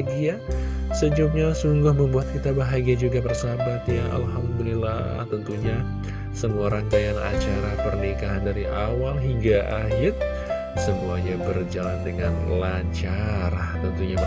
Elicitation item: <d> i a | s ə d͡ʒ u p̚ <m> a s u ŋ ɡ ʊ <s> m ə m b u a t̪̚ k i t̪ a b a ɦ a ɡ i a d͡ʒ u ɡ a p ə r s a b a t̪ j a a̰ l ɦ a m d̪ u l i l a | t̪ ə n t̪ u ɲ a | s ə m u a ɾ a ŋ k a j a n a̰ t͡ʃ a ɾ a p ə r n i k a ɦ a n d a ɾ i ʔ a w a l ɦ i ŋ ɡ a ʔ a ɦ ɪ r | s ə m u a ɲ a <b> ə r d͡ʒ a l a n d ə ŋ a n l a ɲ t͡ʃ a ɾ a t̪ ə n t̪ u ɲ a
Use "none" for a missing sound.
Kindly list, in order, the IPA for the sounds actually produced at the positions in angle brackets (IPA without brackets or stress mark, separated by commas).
ɡ, ɲ, h, b